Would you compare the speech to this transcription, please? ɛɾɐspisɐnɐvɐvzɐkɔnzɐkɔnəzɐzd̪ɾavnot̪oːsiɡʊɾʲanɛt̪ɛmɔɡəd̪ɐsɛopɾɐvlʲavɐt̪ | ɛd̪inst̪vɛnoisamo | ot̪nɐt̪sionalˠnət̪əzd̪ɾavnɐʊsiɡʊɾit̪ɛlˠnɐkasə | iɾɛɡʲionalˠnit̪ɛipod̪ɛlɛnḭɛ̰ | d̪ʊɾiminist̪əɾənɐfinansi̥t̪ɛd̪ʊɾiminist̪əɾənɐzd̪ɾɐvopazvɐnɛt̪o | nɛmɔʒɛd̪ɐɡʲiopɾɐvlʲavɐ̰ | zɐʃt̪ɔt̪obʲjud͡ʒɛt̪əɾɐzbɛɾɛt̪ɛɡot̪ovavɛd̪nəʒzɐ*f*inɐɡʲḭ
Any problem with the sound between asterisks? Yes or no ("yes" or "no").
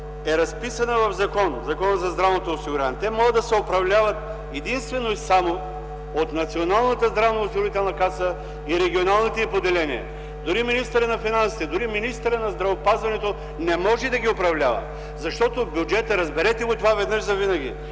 yes